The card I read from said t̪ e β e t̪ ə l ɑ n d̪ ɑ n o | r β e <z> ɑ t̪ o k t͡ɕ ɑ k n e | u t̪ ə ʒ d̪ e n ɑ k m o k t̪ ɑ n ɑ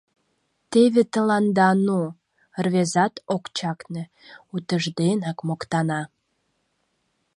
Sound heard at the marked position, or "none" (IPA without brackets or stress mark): z